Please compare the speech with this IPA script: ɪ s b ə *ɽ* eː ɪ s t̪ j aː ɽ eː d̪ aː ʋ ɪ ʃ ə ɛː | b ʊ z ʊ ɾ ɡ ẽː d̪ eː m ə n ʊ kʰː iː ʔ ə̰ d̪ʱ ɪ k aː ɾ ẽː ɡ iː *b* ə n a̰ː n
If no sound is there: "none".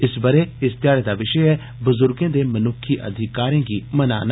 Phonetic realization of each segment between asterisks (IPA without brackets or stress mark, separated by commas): ɾ, m